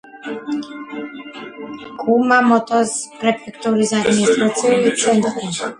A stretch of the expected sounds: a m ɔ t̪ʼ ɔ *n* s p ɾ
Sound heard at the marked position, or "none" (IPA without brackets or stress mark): none